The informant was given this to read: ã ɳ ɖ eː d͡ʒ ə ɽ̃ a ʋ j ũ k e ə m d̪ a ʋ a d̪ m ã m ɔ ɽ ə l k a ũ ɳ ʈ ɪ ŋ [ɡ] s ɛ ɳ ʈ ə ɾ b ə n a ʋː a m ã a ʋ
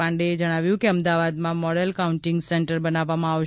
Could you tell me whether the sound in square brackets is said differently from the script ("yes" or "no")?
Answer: no